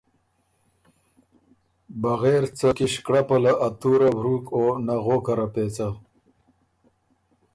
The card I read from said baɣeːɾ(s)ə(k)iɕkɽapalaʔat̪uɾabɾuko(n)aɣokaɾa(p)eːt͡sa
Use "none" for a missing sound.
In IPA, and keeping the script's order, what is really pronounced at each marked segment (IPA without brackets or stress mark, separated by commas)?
t͡s, k, n, p